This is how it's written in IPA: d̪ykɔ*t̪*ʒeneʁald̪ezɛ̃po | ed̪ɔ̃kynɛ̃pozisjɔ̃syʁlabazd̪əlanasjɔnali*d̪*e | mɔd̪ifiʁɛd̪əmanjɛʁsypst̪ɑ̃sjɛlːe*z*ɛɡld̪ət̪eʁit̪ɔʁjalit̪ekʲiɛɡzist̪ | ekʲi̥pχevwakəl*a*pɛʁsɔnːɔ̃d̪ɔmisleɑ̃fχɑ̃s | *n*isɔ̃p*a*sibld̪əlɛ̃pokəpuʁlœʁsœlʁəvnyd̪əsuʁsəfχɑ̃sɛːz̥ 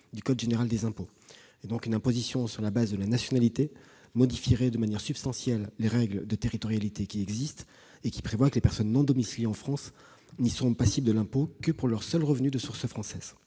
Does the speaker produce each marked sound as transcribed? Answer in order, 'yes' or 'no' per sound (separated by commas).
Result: no, no, no, no, yes, yes